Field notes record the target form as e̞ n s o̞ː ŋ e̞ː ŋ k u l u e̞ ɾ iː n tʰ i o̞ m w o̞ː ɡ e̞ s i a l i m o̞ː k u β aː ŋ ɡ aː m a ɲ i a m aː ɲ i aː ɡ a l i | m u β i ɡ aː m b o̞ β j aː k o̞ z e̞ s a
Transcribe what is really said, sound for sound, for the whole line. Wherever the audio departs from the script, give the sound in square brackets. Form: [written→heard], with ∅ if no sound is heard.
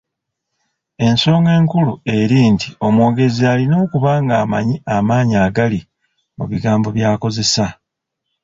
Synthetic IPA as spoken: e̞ n s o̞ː ŋ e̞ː ŋ k u l u e̞ ɾ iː n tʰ i o̞ m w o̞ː ɡ e̞ [s→z] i a l i [m→n] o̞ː k u β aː ŋ ɡ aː m a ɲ i a m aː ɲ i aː ɡ a l i | m u β i ɡ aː m b o̞ β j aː k o̞ z e̞ s a